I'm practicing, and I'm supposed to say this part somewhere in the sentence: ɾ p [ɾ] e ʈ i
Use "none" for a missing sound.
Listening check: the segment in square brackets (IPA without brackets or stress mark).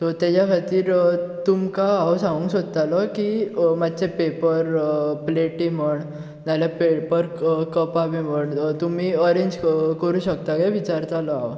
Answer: l